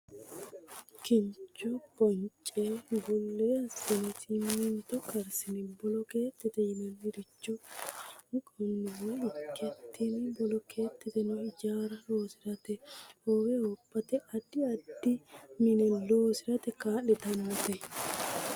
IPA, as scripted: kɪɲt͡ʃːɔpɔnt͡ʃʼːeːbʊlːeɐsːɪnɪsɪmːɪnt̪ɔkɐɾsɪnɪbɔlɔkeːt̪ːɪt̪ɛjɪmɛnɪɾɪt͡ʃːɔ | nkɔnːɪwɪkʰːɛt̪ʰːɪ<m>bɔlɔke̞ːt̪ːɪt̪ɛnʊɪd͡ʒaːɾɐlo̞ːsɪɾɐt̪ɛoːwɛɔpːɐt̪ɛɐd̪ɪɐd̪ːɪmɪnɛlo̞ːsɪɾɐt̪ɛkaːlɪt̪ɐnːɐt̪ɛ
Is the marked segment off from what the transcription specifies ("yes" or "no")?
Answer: yes